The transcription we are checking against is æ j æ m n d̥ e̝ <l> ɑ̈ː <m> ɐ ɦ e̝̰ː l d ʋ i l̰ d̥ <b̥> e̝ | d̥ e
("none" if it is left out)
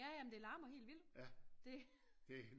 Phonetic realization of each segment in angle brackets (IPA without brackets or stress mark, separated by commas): l, m, d̥